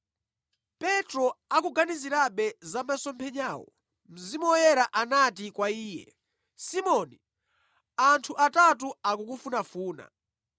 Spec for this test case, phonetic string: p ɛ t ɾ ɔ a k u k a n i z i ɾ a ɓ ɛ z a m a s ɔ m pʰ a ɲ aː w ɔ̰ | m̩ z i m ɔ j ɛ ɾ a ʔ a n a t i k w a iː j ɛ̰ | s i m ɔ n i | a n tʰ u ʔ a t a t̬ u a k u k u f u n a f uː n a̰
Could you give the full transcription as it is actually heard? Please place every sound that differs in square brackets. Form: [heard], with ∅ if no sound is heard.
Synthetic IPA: p ɛ t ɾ ɔ a k u [ɡ] a n i z i ɾ a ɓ ɛ z a m a s ɔ m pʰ [ɛ] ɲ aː w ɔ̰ | m̩ z i m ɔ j ɛ ɾ a ʔ a n a t i k w a iː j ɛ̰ | s i m ɔ n i | a n tʰ u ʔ a t a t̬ u a k u k u f u n a f uː n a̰